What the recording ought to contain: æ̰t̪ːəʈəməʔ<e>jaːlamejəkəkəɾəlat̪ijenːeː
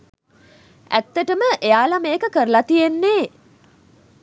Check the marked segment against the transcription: correct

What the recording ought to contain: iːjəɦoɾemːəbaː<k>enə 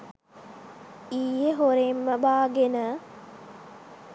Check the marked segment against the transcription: incorrect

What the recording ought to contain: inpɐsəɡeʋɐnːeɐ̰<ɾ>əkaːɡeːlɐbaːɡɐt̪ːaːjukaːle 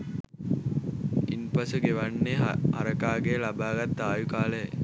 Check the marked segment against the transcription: correct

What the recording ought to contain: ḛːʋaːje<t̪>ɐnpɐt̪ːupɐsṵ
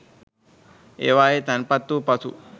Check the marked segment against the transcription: correct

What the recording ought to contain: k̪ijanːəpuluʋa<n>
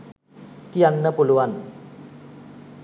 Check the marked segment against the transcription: correct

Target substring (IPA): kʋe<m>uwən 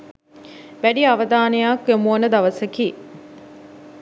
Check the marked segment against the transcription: correct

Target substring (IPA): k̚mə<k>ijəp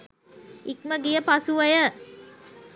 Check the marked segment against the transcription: incorrect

